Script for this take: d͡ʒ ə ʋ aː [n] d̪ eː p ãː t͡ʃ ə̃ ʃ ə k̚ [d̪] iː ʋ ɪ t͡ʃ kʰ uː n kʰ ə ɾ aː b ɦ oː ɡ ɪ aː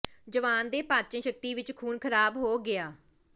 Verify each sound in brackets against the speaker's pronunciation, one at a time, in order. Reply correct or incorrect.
correct, incorrect: t̪

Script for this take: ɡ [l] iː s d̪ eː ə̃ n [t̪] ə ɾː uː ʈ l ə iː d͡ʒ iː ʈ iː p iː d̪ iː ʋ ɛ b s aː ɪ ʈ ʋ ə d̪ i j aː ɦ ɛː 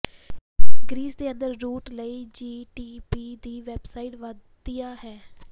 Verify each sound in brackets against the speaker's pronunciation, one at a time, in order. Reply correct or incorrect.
incorrect: ɾ, incorrect: d̪

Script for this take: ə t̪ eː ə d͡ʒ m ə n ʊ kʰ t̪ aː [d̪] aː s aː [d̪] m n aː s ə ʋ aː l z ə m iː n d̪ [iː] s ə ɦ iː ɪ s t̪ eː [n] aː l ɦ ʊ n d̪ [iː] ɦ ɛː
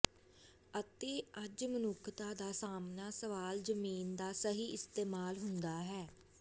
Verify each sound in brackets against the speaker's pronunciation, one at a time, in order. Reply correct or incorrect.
correct, incorrect: none, incorrect: aː, incorrect: m, incorrect: aː

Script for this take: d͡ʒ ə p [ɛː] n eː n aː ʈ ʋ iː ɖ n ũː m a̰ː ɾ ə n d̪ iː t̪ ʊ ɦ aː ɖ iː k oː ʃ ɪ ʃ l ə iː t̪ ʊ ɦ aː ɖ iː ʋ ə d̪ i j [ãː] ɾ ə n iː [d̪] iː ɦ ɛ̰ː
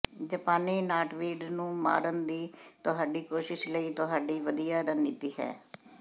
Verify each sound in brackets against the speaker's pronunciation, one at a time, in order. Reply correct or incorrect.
incorrect: aː, incorrect: aː, incorrect: t̪

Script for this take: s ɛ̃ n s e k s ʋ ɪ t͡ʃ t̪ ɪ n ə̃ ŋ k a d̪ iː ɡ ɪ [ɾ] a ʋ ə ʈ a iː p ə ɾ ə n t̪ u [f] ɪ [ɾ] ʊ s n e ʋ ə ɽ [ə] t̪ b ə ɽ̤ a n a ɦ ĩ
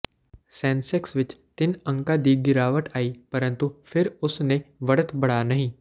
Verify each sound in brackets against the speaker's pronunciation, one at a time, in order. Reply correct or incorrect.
correct, correct, correct, correct

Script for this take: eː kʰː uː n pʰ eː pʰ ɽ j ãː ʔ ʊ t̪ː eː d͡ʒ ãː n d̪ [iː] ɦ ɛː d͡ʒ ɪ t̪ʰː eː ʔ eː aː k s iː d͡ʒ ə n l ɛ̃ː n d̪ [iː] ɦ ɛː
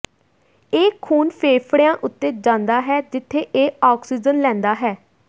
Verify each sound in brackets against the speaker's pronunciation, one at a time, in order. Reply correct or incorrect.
incorrect: aː, incorrect: aː

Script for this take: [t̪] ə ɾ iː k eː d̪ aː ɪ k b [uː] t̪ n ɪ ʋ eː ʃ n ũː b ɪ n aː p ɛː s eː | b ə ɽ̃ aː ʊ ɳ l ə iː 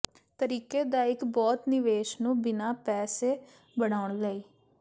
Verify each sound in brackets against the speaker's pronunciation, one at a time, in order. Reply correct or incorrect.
correct, incorrect: ɔː

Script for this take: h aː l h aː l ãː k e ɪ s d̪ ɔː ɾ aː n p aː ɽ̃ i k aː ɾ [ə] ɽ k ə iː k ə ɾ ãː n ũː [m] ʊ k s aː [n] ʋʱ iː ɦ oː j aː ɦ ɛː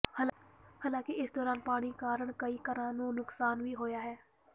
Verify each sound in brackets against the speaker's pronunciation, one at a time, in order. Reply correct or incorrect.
correct, incorrect: n, correct

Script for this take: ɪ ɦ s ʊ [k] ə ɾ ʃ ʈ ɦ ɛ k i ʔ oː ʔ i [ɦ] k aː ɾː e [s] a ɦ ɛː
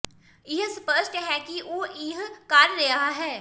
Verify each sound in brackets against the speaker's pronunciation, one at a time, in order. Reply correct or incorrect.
incorrect: p, correct, incorrect: none

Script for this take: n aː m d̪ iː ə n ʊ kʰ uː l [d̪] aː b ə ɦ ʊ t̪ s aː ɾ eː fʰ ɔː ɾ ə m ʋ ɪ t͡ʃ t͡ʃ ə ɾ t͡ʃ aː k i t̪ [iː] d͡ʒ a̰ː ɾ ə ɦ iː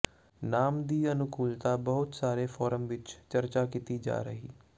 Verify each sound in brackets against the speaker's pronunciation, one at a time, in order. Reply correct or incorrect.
incorrect: t̪, correct

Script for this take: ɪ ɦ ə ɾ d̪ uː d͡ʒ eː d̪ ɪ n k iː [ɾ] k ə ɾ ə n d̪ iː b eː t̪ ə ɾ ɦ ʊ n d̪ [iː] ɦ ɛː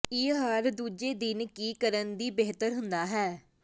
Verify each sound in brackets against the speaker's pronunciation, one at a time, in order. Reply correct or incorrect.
incorrect: none, incorrect: aː

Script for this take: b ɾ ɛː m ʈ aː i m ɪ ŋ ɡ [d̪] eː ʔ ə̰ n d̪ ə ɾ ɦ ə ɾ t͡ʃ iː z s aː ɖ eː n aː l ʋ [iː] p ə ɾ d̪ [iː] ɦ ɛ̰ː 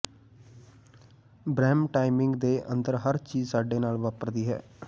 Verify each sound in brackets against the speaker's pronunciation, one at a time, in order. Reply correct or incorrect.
correct, incorrect: aː, correct

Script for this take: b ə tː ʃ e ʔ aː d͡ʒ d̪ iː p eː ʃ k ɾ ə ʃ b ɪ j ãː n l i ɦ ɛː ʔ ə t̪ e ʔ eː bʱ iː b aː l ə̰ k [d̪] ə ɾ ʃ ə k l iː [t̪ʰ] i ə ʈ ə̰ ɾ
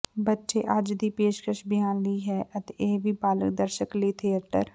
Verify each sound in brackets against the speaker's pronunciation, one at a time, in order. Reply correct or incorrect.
correct, correct

